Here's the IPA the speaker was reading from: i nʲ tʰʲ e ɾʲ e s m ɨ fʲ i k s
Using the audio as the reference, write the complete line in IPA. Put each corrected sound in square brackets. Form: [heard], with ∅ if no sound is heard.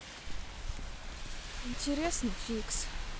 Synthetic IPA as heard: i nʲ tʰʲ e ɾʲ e s [n] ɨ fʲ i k s